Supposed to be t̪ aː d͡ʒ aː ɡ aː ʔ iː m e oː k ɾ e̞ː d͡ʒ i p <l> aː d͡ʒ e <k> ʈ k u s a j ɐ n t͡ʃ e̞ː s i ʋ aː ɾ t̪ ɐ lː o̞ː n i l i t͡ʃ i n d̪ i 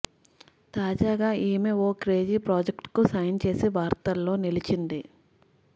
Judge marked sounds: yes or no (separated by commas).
no, yes